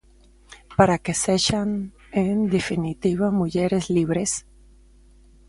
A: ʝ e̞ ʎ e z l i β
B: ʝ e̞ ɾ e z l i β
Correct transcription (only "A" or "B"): B